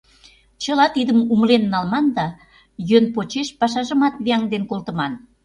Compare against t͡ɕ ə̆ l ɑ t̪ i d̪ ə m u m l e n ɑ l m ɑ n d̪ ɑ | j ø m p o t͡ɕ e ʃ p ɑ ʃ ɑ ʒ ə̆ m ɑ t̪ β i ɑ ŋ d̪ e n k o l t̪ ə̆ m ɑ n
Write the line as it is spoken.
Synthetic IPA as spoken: t͡ɕ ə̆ l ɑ t̪ i d̪ ə m u m l e nː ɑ l m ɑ n d̪ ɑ | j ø n p o t͡ɕ e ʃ p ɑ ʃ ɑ ʒ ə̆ m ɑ t̪ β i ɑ ŋ d̪ e n k o l t̪ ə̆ m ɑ n

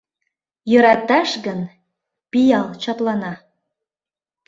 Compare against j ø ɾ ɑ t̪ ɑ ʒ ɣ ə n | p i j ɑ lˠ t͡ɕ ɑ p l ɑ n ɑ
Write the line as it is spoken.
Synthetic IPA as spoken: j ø ɾ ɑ t̪ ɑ ʃ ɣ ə n | p i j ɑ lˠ t͡ɕ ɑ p l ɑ n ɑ

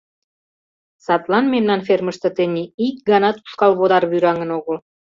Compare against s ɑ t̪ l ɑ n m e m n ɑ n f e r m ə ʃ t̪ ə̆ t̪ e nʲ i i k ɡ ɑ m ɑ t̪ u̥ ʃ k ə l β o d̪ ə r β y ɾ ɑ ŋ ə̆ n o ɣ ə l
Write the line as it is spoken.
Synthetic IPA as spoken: s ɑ t̪ l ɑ n m e m n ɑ n f e r m ə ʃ t̪ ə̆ t̪ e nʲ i i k ɡ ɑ n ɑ t̪ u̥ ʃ k ɑ l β o d̪ ɑ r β y ɾ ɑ ŋ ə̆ n o ɣ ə l

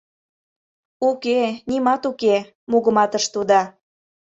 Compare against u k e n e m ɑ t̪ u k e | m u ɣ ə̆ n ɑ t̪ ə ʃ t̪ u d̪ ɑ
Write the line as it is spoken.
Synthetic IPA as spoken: u k e n i m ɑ t̪ u k e | m u ɣ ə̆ m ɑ t̪ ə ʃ t̪ u d̪ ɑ

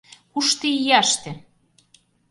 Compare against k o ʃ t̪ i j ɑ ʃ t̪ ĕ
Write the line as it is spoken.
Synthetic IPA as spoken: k u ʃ t̪ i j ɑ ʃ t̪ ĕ

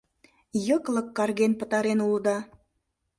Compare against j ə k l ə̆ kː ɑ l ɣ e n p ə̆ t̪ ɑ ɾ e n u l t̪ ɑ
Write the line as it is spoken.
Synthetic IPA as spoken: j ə k l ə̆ kː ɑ r ɣ e n p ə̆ t̪ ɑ ɾ e n u l d̪ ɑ

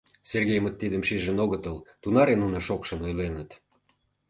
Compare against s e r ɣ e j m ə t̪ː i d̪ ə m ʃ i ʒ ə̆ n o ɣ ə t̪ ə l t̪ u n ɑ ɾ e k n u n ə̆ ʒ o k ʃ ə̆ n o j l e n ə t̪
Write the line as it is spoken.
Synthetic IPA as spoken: s e r ɣ e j m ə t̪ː i d̪ ə m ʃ i ʒ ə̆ n o ɣ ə t̪ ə l t̪ u n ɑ ɾ e n u n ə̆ ʃ o k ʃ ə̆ n o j l e n ə t̪

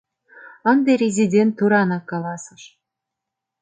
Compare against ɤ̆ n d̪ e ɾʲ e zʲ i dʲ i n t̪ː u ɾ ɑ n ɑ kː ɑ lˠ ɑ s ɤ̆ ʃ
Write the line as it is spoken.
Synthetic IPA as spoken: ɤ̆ n d̪ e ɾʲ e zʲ i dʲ e n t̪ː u ɾ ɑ n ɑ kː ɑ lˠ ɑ s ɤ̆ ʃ

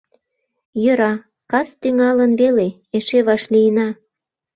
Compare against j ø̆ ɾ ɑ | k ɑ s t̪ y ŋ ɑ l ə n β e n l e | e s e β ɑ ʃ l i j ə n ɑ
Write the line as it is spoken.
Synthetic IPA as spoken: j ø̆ ɾ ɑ | k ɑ s t̪ y ŋ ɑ l ə n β e l e | e ʃ e β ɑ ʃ l i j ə n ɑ

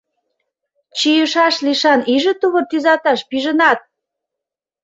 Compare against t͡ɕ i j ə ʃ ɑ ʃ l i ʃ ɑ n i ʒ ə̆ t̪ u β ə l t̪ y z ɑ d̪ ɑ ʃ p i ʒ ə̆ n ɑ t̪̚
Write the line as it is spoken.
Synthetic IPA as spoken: t͡ɕ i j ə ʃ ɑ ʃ l i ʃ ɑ n i ʒ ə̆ t̪ u β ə r t̪ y z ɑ t̪ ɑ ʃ p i ʒ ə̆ n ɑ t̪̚

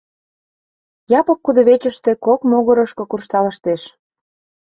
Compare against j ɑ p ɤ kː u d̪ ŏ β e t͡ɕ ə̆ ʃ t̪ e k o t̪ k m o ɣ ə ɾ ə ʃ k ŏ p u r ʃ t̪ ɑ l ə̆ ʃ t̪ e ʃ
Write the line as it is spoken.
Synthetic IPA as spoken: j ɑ p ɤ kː u d̪ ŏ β e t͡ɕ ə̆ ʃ t̪ e k o k m o ɣ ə ɾ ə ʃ k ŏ k u r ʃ t̪ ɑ l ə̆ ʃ t̪ e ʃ

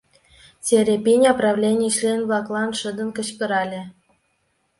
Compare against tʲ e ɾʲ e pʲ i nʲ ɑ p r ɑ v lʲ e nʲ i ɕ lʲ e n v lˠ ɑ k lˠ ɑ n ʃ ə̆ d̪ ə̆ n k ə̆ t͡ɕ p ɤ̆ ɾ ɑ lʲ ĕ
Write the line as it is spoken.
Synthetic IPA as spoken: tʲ e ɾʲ e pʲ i nʲ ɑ p r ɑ v lʲ e nʲ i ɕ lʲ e n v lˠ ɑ k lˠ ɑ n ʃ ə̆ d̪ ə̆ n k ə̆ t͡ɕ p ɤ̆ ɾ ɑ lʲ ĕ

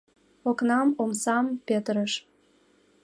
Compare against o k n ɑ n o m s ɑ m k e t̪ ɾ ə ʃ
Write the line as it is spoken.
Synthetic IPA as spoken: o k n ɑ m o m s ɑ m p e t̪ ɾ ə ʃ

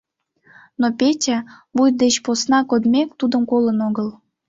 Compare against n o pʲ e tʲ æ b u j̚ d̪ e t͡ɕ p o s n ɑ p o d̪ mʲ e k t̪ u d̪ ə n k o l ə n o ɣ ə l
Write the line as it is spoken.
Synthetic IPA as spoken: n o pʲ e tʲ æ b u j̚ d̪ e t͡ɕ p o s n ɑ k o d̪ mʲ e k t̪ u d̪ ə m k o l ə n o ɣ ə l

